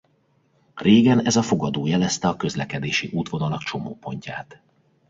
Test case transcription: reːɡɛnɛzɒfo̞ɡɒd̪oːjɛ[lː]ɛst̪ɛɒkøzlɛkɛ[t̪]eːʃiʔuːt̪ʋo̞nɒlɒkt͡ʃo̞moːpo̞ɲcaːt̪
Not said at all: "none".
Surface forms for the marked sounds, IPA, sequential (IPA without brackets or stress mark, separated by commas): l, d̪